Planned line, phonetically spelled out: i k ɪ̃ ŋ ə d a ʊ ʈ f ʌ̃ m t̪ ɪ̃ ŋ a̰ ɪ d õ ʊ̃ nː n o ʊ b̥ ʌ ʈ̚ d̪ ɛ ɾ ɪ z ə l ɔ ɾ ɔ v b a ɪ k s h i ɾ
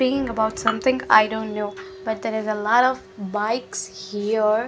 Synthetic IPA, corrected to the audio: i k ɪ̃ ŋ ə b a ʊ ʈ s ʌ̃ m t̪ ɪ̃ ŋ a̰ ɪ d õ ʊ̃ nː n o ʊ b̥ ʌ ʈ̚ d̪ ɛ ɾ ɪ z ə l ɔ ɾ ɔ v b a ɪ k s h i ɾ